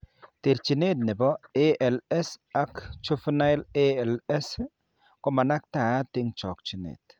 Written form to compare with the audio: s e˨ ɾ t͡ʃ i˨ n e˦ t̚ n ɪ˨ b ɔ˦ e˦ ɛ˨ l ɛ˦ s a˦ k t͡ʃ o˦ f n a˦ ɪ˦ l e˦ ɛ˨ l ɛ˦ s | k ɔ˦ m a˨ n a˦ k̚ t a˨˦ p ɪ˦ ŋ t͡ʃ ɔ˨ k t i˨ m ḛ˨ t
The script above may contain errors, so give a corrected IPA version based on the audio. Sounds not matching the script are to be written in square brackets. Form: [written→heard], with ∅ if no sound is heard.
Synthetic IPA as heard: [s→t] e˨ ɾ t͡ʃ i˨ n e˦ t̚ n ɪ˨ b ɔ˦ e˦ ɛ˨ l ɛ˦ s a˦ k t͡ʃ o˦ f n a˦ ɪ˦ l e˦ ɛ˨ l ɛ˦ s | k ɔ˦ m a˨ n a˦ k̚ t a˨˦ [p→t] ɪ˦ ŋ t͡ʃ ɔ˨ k [t→t͡ʃ] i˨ [m→n] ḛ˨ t